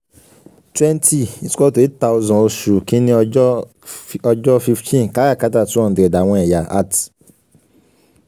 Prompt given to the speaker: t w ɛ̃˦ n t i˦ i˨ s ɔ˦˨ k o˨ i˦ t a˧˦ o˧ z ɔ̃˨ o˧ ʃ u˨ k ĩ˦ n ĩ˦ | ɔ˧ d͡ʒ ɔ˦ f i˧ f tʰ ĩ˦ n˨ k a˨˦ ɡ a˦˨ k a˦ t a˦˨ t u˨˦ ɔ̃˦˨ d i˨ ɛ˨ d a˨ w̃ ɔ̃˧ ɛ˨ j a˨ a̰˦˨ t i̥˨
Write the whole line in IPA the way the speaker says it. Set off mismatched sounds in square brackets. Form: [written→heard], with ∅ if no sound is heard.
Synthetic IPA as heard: t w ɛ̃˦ n t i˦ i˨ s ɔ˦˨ [k→t] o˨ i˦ t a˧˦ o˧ z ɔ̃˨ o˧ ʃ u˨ k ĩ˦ n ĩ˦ | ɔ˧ d͡ʒ ɔ˦ f i˧ f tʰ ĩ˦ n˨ k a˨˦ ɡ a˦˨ k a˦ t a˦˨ t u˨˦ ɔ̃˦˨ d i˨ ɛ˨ d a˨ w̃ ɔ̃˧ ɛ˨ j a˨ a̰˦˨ t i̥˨